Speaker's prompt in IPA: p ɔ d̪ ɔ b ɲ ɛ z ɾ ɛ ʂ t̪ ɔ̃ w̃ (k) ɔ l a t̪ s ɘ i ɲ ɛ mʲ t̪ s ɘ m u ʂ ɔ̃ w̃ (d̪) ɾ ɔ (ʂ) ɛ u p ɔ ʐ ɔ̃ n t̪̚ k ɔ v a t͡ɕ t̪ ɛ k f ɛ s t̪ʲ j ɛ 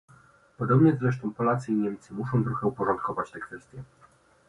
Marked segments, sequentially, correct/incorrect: incorrect: p, incorrect: t̪, incorrect: x

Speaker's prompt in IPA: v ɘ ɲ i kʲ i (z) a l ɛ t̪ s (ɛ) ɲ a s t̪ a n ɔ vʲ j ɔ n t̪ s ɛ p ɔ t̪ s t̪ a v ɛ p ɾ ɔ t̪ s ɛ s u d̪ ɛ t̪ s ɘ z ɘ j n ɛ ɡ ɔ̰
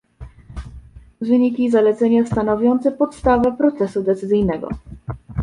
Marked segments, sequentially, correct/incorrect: correct, correct

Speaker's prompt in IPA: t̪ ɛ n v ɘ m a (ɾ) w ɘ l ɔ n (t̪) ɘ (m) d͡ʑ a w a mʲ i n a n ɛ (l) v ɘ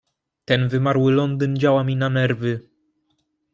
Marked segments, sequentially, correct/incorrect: correct, incorrect: d̪, incorrect: n, incorrect: ɾ

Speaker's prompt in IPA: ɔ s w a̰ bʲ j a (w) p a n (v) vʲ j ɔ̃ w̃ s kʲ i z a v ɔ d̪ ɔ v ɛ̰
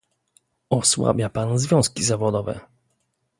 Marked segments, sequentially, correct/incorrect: incorrect: none, incorrect: z

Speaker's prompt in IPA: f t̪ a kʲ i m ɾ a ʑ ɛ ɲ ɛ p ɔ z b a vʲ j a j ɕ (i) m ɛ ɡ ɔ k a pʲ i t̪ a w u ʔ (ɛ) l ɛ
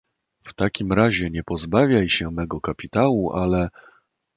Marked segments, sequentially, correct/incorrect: incorrect: ɛ, incorrect: a

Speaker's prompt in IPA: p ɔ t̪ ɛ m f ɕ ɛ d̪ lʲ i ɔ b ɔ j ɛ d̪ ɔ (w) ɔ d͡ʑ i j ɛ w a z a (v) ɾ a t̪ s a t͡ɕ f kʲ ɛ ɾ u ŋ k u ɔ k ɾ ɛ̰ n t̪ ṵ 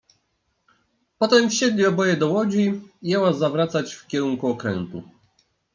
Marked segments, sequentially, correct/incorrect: correct, correct

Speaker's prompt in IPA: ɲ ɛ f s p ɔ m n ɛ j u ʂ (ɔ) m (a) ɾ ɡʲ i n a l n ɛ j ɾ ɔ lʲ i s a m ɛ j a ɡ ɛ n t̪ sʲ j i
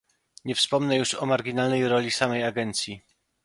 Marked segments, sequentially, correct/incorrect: correct, correct

